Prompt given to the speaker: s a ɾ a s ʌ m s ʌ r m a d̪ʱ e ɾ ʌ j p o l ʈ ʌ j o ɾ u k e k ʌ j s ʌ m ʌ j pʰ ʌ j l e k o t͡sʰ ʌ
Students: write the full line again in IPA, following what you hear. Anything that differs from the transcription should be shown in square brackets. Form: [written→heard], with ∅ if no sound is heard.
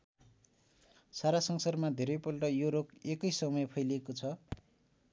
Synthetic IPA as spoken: s a ɾ a s ʌ [m→ŋ] s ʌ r m a d̪ʱ e ɾ ʌ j p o l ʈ ʌ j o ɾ [u→o] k e k ʌ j s ʌ m ʌ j pʰ ʌ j l e k o t͡sʰ ʌ

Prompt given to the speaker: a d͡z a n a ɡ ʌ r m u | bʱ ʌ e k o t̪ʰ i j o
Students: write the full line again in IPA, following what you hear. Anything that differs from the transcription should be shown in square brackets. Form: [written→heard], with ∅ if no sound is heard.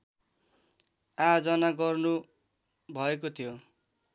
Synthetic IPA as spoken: a d͡z [a→ʌ] n a ɡ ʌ r [m→n] u | bʱ ʌ e k o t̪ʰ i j o

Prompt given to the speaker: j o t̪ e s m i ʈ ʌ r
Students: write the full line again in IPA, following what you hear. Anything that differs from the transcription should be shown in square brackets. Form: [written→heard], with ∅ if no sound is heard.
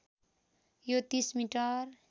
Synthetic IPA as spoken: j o t̪ [e→i] s m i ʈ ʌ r

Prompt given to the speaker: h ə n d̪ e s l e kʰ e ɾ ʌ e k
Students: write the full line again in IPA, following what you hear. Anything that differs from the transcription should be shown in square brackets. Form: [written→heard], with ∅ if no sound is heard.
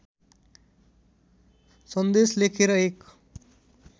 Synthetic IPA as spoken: [h→s] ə n d̪ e s l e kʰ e ɾ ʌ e k

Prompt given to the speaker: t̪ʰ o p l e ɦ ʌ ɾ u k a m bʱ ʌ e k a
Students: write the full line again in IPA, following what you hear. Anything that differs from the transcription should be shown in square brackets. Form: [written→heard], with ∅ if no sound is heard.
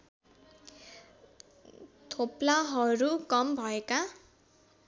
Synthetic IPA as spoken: t̪ʰ o p l [e→a] ɦ ʌ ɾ u k [a→ʌ] m bʱ ʌ e k a

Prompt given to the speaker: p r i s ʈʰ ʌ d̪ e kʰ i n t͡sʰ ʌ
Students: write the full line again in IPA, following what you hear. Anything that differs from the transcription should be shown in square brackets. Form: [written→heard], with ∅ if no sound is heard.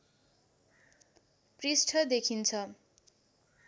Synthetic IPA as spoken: p r i s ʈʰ ʌ d̪ e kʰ i n t͡sʰ ʌ

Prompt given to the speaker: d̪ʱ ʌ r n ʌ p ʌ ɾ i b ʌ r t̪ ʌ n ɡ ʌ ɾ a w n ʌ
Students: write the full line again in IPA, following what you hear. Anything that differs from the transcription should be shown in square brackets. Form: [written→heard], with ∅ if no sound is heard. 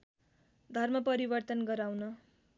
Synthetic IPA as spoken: d̪ʱ ʌ r [n→m] ʌ p ʌ ɾ i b ʌ r t̪ ʌ n ɡ ʌ ɾ a w n ʌ

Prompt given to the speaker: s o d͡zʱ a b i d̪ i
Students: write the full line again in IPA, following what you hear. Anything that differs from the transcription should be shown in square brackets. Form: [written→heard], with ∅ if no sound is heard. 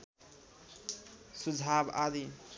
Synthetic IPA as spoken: s [o→u] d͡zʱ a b [i→a] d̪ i

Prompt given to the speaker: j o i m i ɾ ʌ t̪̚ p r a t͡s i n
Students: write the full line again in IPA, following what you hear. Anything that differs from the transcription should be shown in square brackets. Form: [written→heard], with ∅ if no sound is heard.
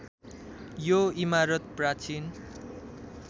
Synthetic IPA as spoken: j o i m [i→a] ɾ ʌ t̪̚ p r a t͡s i n

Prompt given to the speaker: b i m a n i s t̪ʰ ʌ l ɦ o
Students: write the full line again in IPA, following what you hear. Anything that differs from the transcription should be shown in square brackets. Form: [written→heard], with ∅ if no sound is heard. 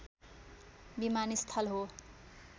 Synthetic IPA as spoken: b i m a n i s t̪ʰ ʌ l ɦ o

